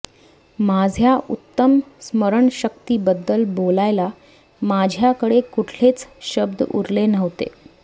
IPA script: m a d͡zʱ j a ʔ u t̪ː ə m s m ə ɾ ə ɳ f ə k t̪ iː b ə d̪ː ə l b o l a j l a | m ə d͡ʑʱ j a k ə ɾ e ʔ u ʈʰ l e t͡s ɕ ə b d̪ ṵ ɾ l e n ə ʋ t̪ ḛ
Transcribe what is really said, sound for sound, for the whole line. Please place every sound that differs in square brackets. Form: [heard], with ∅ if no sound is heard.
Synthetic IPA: m a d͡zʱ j a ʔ u t̪ː ə m s m ə ɾ ə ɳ [ɕ] ə k t̪ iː b ə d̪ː ə l b o l a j l a | m [a] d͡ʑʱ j a k ə [ɽ] e [k] u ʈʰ l e t͡s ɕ ə b d̪ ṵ ɾ l e n ə ʋ t̪ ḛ